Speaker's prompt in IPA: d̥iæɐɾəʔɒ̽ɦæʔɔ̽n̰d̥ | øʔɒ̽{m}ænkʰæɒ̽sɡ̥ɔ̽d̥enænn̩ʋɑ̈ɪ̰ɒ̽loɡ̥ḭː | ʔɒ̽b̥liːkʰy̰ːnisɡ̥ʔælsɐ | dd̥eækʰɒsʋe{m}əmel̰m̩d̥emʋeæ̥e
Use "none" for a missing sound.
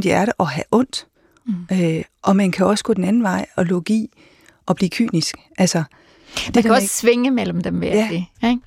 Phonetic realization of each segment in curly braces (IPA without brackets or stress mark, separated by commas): m, ŋ